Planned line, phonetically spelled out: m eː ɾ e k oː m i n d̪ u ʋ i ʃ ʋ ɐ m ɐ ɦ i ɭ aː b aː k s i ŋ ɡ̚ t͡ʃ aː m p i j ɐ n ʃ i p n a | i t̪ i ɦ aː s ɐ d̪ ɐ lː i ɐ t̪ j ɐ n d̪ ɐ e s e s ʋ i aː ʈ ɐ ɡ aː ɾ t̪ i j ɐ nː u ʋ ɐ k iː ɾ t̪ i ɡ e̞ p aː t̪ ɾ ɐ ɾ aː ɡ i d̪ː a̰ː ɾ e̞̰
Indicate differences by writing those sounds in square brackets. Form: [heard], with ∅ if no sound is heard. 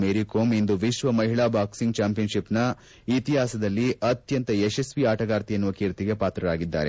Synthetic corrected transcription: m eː ɾ [i] k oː m i n d̪ u ʋ i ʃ ʋ ɐ m ɐ ɦ i ɭ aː b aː k s i ŋ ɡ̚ t͡ʃ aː m p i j ɐ n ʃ i p n [ɐ] | i t̪ i ɦ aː s ɐ d̪ ɐ lː i ɐ t̪ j ɐ n [t̪] ɐ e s e s ʋ i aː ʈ ɐ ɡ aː ɾ t̪ i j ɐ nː u ʋ ɐ k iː ɾ t̪ i ɡ e̞ p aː t̪ ɾ ɐ ɾ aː ɡ i d̪ː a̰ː ɾ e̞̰